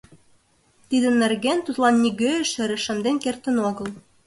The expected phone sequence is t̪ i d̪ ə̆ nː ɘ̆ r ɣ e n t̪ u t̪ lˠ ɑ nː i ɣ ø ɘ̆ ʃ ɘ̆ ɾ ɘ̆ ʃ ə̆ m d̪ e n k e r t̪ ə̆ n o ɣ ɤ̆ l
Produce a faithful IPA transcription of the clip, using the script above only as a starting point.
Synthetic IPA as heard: t̪ i d̪ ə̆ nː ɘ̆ r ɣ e n t̪ u t̪ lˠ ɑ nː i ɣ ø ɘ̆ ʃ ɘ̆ ɾ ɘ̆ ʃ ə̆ m d̪ e n k e r t̪ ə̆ n o ɣ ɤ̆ l